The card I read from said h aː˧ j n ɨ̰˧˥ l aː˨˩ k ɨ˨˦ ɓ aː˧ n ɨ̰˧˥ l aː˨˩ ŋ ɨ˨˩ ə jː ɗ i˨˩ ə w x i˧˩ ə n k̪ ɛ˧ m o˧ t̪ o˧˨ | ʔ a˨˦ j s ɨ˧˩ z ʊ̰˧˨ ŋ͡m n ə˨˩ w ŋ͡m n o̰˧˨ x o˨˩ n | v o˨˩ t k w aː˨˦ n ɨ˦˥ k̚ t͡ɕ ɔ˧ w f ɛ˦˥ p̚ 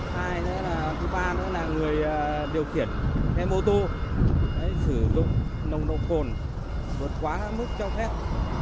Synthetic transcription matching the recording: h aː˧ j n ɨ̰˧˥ l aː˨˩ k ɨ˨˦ ɓ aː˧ n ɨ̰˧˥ l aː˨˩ ŋ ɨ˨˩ ə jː ɗ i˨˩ ə w x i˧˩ ə n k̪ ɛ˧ m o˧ t̪ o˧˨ | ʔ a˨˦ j s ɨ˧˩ z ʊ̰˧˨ ŋ͡m n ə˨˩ w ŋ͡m n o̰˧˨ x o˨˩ n | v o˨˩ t k w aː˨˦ m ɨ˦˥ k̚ t͡ɕ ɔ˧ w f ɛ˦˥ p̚